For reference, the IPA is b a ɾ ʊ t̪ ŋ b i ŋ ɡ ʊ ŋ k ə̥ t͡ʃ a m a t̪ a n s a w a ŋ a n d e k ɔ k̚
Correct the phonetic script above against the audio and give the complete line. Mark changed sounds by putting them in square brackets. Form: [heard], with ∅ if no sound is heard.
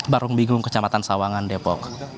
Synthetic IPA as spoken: b a ɾ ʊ [∅] ŋ b i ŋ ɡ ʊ ŋ k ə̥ t͡ʃ a m a t̪ a n s a w a ŋ a n d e [p] ɔ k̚

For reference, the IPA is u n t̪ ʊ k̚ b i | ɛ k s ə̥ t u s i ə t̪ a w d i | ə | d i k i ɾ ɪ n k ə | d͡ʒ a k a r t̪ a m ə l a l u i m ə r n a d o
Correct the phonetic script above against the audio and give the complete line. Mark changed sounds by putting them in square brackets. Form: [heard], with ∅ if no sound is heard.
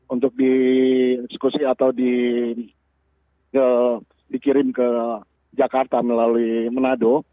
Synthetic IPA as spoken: u n t̪ ʊ k̚ [d] i | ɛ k s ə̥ [k] u s i [a] t̪ a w d i | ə | d i k i ɾ ɪ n k ə | d͡ʒ a k a r t̪ a m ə l a l u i m ə [∅] n a d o

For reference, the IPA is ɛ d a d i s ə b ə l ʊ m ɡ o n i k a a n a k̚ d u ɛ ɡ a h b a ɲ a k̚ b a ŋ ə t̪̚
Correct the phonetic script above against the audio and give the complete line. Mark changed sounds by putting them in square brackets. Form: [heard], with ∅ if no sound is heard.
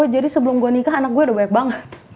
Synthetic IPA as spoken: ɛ [d͡ʒ] a d i s ə b ə l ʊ m ɡ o n i k a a n a k̚ [ɡ] u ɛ [d] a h b a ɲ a k̚ b a ŋ ə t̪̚

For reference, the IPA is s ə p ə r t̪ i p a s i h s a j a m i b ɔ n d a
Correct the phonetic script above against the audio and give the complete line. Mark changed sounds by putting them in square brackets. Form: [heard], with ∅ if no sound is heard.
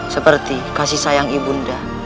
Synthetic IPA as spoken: s ə p ə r t̪ i [k] a s i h s a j a [ŋ] i b [u] n d a

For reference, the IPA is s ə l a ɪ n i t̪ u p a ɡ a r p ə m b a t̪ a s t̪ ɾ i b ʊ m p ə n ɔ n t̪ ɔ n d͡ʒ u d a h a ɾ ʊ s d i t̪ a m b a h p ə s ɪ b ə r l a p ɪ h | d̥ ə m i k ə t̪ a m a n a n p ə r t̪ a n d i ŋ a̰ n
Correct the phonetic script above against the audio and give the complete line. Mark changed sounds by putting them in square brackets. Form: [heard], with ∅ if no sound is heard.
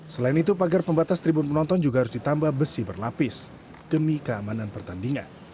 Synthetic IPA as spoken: s ə l a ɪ n i t̪ u p a ɡ a r p ə m b a t̪ a s t̪ ɾ i b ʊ [n] p ə n ɔ n t̪ ɔ n d͡ʒ u [ɡ] a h a ɾ ʊ s d i t̪ a m b a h [b] ə s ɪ b ə r l a p ɪ [s] | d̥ ə m i k ə [∅] a m a n a n p ə r t̪ a n d i ŋ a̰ n

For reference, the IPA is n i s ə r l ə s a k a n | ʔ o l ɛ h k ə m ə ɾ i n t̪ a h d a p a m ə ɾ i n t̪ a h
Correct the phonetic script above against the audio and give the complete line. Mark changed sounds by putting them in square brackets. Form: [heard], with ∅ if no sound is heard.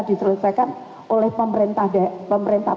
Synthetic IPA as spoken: [d] i s ə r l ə s a k a n | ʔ o l ɛ h [p] ə m ə ɾ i n t̪ a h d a p [ə] m ə ɾ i n t̪ a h

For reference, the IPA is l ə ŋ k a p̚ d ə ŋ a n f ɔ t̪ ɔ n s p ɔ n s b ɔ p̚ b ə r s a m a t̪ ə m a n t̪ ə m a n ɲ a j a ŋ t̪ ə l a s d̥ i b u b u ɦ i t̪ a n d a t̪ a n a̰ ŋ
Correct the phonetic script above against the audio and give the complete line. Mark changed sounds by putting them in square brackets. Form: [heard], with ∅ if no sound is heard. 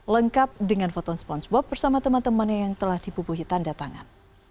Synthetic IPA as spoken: l ə ŋ k a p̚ d ə ŋ a n f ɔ t̪ ɔ n s p ɔ n s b ɔ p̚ b ə r s a m a t̪ ə m a n t̪ ə m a n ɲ a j a ŋ t̪ ə l a [h] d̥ i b u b u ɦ i t̪ a n d a t̪ a [ŋ] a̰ [n]

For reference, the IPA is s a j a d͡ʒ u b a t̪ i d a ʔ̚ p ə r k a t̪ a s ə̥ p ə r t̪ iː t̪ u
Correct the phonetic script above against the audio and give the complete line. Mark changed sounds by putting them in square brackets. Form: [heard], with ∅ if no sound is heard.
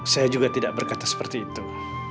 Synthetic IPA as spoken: s a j a d͡ʒ u [ɡ] a t̪ i d a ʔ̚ [b] ə r k a t̪ a s ə̥ p ə r t̪ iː t̪ u

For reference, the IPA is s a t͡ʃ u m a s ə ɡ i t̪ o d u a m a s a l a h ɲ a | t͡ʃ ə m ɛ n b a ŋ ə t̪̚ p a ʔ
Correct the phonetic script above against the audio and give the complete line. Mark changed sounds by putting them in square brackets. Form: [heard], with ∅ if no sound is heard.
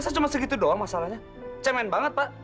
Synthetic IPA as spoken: s a t͡ʃ u m a s ə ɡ i t̪ [u] d [o] a m a s a l a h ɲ a | t͡ʃ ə m ɛ n b a ŋ ə t̪̚ p a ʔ

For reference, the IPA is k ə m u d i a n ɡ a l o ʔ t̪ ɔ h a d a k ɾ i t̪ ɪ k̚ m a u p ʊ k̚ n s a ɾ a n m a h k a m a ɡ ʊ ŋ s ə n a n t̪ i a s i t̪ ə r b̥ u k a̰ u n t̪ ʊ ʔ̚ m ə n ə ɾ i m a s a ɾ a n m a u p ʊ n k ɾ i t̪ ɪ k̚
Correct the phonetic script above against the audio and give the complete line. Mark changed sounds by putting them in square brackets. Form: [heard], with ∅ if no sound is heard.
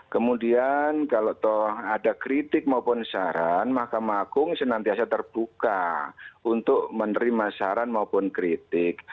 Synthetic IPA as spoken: k ə m u d i a n [k] a l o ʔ t̪ ɔ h a d a k ɾ i t̪ ɪ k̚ m a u p ʊ [∅] n s a ɾ a n m a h k a m a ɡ ʊ ŋ s ə n a n t̪ i a s [a] t̪ ə r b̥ u k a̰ u n t̪ ʊ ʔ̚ m ə n ə ɾ i m a s a ɾ a n m a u p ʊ n k ɾ i t̪ ɪ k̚

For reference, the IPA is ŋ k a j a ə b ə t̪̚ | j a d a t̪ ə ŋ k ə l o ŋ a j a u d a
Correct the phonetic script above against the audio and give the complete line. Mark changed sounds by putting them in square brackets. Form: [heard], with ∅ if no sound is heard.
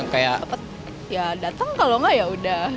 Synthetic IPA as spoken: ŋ k a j a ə [p] ə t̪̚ | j a d a t̪ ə ŋ k [a] l o ŋ a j a u d a

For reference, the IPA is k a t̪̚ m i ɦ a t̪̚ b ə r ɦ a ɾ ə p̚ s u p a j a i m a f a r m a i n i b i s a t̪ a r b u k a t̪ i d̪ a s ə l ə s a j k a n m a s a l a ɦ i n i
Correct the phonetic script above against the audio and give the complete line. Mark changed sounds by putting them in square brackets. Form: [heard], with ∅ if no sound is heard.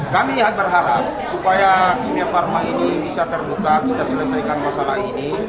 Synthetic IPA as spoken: k a [∅] m i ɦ a t̪̚ b ə r ɦ a ɾ [a] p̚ s u p a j a i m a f a r m a i n i b i s a t̪ [ə] r b u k a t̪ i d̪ a s ə l ə s a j k a n m a s a l a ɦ i n i

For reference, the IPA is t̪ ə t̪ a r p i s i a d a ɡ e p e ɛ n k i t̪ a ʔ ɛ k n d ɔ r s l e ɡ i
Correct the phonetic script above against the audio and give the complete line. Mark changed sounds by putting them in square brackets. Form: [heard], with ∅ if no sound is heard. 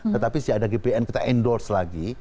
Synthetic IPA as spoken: t̪ ə t̪ a [∅] p i s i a d a ɡ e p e ɛ n k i t̪ a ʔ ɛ [∅] n d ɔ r s l [a] ɡ i

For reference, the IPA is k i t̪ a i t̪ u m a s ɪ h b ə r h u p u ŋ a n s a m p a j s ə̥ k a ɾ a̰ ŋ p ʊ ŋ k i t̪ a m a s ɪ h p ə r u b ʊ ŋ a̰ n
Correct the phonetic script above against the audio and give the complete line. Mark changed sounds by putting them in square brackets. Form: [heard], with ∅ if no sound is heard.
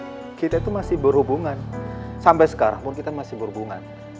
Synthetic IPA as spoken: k i t̪ a i t̪ u m a s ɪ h b ə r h u [b] u ŋ a n s a m p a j s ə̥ k a ɾ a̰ ŋ p ʊ [n] k i t̪ a m a s ɪ h [b] ə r u b [u] ŋ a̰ n

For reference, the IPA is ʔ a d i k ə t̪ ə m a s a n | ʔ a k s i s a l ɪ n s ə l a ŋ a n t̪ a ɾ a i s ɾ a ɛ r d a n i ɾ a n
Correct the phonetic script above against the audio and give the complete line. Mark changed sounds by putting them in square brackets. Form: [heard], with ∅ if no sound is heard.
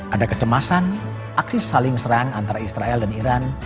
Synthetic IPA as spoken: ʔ a d [a] k ə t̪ ə m a s a n | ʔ a k s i s a l ɪ [ŋ] s ə [ɾ] a ŋ a n t̪ a ɾ a i s ɾ a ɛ [l] d a n i ɾ a n

